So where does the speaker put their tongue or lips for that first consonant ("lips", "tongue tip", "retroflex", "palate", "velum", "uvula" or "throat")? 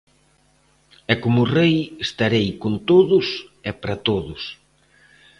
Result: velum